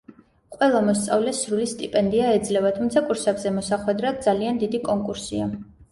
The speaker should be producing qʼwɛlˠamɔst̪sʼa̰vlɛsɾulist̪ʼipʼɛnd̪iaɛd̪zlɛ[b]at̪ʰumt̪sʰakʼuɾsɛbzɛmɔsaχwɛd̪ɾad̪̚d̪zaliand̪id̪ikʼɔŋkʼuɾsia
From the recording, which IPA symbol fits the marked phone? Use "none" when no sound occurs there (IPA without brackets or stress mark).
v